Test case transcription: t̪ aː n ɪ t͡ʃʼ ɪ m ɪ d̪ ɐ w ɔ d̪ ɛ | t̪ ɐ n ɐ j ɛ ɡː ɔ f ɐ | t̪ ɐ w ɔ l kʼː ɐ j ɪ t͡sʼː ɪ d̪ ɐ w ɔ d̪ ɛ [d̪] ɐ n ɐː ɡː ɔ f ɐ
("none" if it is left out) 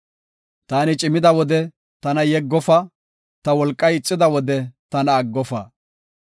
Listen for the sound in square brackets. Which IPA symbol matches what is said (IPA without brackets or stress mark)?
t̪